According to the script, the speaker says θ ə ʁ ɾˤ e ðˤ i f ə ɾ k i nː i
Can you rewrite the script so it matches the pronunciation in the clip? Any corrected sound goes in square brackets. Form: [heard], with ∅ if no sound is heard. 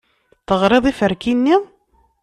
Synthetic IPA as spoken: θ ə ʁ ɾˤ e ðˤ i f ə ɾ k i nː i